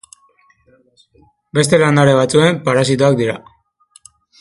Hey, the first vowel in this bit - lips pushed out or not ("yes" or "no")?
no